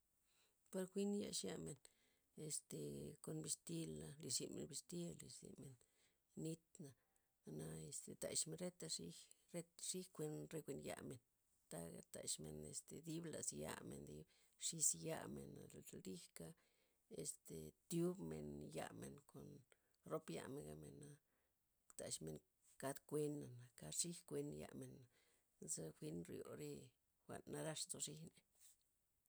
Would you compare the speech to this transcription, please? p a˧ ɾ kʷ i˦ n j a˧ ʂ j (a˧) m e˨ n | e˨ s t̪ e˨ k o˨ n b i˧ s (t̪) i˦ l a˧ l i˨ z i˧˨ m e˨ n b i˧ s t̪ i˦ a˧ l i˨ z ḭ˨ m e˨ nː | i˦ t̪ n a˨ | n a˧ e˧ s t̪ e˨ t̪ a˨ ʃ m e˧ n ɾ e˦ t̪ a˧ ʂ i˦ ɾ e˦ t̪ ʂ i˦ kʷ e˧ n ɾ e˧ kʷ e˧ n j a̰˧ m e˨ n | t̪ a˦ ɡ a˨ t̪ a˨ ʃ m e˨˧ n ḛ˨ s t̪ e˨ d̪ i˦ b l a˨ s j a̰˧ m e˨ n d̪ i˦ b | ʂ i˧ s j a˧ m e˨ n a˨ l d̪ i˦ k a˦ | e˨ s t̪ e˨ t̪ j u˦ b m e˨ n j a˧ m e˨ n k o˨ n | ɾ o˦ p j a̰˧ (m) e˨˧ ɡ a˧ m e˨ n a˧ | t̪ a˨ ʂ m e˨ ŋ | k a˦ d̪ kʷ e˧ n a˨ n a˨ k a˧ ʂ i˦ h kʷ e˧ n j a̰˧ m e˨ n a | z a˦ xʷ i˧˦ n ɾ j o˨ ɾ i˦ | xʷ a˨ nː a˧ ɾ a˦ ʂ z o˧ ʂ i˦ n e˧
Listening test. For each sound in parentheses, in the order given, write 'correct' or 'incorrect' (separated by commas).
correct, correct, correct